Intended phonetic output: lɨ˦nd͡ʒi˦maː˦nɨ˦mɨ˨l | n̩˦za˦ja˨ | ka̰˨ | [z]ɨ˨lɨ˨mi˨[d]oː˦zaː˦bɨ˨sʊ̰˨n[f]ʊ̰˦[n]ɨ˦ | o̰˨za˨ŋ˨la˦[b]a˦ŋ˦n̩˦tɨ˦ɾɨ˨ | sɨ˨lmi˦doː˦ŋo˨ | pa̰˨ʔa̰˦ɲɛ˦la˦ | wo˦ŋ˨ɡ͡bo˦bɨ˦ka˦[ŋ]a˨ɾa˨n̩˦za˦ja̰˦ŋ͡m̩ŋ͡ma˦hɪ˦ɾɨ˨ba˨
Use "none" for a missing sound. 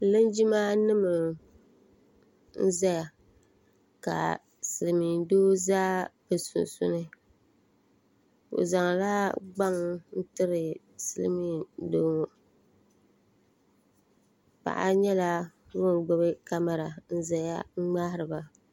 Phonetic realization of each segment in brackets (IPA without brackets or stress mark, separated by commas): s, d, s, n, ɡ͡b, m